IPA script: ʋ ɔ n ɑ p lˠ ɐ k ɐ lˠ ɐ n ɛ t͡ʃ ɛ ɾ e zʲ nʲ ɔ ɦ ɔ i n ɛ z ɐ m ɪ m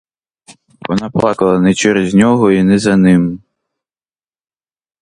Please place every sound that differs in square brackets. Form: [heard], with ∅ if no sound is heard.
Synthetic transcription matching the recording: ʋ ɔ n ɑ p lˠ [ɑ] k ɐ lˠ ɐ n ɛ t͡ʃ ɛ ɾ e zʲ nʲ ɔ ɦ ɔ i n ɛ z ɐ [n] ɪ m